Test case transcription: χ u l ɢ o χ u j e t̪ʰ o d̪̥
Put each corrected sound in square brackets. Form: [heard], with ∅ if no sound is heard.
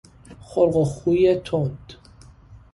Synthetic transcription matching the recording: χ [o] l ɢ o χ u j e t̪ʰ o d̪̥